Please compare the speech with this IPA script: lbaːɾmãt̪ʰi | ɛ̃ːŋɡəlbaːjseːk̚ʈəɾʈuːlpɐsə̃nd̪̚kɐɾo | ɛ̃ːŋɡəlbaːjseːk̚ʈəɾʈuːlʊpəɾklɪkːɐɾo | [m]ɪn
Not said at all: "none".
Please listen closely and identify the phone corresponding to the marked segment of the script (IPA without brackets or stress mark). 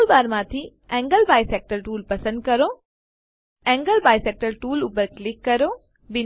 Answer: b